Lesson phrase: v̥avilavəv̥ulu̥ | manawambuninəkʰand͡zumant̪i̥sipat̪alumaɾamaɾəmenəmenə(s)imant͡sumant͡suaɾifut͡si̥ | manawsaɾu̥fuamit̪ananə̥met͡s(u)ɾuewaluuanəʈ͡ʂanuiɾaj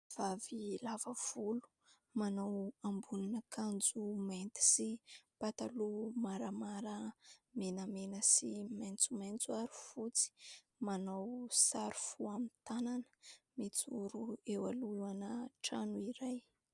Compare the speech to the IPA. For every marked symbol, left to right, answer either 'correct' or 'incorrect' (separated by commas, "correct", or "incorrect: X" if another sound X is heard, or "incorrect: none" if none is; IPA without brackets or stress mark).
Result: correct, correct